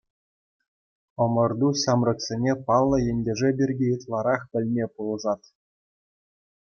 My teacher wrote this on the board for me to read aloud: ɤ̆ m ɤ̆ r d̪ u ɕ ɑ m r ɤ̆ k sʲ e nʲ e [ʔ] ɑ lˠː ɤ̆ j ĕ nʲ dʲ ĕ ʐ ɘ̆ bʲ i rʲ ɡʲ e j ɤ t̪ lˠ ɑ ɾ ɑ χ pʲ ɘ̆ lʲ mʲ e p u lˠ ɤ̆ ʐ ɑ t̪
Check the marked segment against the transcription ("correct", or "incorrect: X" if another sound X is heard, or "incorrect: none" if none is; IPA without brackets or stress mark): incorrect: p